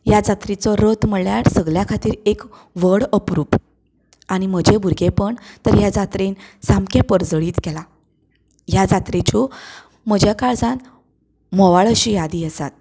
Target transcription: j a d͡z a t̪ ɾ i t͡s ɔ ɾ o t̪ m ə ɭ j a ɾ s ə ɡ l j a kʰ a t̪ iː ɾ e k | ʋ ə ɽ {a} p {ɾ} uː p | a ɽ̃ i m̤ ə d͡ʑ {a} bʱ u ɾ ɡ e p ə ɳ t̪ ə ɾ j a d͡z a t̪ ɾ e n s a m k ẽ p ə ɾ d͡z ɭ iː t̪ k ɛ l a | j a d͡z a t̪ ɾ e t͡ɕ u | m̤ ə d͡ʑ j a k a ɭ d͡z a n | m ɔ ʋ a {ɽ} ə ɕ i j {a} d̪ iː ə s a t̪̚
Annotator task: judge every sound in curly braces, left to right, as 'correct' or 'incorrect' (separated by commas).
incorrect, correct, incorrect, incorrect, correct